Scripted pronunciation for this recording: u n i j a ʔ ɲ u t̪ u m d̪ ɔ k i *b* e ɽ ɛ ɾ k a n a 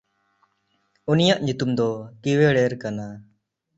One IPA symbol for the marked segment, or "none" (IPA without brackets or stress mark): w